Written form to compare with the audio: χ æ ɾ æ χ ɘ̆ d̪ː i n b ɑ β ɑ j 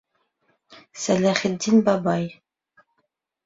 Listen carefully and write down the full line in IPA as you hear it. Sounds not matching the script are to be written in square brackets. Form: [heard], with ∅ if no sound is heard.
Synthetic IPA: [s] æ [l] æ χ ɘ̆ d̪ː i n b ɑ [b] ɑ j